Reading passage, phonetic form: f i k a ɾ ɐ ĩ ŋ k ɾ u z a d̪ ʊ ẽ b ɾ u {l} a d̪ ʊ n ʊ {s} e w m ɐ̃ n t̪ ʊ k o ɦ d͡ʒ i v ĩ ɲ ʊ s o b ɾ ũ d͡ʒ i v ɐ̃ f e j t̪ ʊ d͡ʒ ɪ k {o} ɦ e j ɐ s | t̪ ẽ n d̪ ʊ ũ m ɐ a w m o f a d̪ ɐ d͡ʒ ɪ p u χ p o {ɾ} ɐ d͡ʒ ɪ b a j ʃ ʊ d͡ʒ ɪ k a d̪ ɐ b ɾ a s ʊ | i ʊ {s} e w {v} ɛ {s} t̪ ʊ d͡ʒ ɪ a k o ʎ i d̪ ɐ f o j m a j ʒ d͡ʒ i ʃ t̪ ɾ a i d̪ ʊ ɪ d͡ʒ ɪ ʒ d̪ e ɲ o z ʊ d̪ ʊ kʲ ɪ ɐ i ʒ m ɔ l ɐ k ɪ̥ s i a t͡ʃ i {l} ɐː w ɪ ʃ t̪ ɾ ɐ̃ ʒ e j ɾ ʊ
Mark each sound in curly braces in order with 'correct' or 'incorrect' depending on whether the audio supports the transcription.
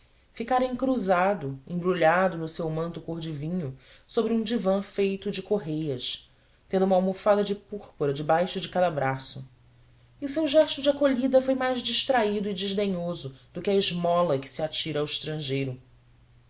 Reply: incorrect: ʎ, correct, correct, correct, correct, incorrect: ʒ, incorrect: ʃ, incorrect: ɾ

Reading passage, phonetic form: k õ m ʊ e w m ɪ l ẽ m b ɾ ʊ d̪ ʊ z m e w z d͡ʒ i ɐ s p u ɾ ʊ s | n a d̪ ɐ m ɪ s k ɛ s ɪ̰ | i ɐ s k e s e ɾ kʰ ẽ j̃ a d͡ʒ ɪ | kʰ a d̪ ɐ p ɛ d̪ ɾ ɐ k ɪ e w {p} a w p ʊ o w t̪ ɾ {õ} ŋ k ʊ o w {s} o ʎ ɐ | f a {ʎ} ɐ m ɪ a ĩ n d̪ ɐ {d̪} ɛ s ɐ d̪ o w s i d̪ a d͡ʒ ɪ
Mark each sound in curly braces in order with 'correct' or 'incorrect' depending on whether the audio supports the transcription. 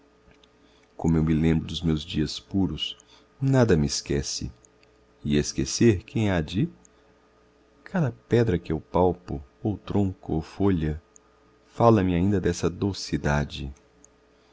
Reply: correct, correct, incorrect: f, incorrect: l, correct

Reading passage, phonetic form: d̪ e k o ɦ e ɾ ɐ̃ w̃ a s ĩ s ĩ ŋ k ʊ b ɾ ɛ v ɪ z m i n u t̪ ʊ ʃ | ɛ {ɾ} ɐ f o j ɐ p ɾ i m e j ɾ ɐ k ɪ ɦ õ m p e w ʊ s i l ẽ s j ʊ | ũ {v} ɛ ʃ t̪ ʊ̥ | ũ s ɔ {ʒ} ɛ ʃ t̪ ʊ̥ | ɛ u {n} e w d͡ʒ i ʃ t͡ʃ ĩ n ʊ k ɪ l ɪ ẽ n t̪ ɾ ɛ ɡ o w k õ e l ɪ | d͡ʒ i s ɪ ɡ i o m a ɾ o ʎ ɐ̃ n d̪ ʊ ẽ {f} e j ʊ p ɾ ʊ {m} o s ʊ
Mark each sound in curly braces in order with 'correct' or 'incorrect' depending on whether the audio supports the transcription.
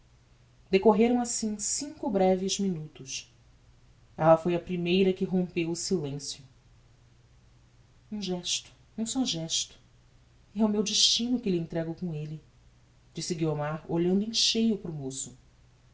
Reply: incorrect: l, incorrect: ʒ, correct, incorrect: m, incorrect: ʃ, correct

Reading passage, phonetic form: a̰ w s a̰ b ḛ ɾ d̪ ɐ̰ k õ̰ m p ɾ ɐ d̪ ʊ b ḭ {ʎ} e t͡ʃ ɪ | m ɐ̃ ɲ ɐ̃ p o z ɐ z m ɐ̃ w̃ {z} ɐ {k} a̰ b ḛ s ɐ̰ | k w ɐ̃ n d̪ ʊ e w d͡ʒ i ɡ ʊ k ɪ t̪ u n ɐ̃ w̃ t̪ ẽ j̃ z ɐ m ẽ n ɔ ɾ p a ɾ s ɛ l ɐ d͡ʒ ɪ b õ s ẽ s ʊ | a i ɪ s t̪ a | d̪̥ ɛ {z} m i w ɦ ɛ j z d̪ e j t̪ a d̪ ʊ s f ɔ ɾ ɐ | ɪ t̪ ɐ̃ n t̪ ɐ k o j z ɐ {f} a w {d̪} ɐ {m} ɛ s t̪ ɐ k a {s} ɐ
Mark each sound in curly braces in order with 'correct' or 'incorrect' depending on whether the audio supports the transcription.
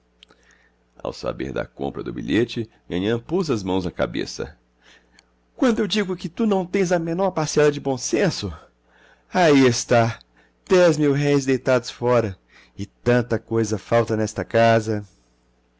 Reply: correct, correct, correct, correct, correct, incorrect: t̪, incorrect: n, incorrect: z

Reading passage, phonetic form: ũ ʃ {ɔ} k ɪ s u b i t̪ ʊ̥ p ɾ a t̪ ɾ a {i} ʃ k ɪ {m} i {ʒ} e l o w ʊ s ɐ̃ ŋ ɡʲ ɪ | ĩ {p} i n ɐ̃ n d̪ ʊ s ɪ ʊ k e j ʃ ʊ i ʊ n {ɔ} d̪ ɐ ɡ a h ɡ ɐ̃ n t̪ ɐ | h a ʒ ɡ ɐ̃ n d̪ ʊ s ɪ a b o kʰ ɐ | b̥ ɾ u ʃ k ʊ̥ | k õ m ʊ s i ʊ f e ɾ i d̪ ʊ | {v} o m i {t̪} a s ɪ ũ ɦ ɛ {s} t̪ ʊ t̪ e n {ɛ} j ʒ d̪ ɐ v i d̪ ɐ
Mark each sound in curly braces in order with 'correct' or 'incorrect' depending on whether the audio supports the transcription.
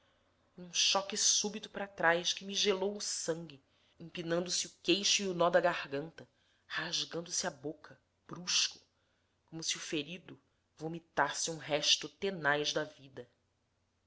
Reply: correct, incorrect: j, correct, correct, correct, correct, correct, correct, incorrect: ʃ, incorrect: a

